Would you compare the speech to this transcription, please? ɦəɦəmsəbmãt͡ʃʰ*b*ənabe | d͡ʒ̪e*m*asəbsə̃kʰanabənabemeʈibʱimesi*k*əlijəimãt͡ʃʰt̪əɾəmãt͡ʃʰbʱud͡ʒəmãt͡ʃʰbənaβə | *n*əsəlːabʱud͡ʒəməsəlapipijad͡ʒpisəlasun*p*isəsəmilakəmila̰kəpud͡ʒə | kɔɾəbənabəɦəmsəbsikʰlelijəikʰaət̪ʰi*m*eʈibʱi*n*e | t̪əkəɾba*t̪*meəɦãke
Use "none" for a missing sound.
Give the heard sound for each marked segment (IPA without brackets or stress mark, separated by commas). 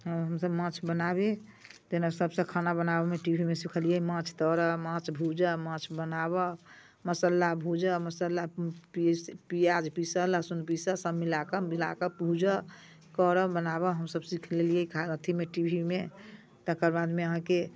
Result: b, n, kʰ, m, p, m, m, d̪